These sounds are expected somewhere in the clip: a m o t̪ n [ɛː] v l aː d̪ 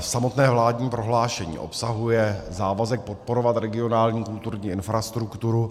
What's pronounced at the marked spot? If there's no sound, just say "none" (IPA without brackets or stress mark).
ɛː